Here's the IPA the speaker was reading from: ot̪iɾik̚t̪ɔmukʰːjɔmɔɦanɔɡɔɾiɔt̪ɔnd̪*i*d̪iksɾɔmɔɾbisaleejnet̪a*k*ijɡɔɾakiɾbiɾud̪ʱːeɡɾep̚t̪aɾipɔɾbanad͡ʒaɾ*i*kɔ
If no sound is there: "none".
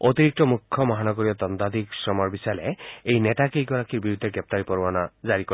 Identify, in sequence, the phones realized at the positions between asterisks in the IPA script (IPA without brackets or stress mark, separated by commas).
a, k, i